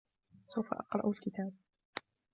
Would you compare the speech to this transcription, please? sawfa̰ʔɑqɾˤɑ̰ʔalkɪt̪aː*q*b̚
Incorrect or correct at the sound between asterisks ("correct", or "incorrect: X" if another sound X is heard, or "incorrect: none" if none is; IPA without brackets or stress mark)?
incorrect: none